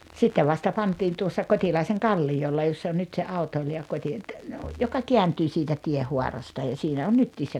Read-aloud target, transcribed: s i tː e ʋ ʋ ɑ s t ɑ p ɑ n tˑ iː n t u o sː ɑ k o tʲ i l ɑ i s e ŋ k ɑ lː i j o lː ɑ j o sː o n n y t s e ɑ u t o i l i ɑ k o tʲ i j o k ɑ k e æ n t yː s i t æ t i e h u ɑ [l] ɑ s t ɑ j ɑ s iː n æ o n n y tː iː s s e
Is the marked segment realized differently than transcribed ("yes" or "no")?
yes